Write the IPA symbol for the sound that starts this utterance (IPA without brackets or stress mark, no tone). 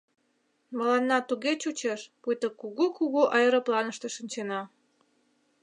m